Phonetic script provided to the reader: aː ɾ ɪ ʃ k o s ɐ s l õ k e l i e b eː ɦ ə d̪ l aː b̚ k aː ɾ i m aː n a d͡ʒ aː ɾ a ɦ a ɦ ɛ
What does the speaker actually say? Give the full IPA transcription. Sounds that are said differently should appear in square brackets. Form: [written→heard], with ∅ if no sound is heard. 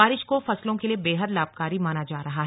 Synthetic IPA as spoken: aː ɾ ɪ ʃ k o [s→f] ɐ s l õ k e l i e b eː ɦ ə d̪ l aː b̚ k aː ɾ i m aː n a d͡ʒ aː ɾ [a→ɐ] ɦ a ɦ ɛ